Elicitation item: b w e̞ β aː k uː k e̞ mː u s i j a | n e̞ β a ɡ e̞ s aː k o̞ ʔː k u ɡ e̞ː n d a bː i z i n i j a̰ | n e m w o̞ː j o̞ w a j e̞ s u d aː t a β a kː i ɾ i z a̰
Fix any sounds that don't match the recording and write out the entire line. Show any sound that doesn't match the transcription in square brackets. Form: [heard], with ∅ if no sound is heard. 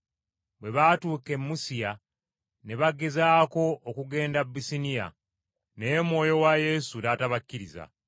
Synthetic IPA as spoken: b w e̞ β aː [t] uː k e̞ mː u s i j a | n e̞ β a ɡ e̞ [z] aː k o̞ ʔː k u ɡ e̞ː n d a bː i [s] i n i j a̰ | n e m w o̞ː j o̞ w a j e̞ s u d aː t a β a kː i ɾ i z a̰